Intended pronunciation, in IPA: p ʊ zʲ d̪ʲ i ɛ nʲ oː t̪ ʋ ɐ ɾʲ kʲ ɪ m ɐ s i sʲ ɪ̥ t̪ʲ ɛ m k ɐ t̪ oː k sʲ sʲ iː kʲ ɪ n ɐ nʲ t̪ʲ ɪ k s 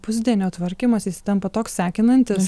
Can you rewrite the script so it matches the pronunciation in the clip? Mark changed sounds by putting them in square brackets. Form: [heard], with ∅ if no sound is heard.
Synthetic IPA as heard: p ʊ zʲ d̪ʲ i ɛ nʲ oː t̪ ʋ ɐ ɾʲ kʲ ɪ m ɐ s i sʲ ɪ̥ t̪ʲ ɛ m [p] ɐ t̪ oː k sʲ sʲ [æː] kʲ ɪ n ɐ nʲ t̪ʲ ɪ [∅] s